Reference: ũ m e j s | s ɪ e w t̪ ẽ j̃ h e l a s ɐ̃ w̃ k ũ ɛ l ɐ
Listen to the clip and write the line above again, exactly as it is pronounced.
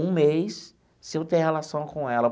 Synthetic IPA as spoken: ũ m e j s | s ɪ e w t̪ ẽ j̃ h e l a s ɐ̃ w̃ k õ ɛ l ɐ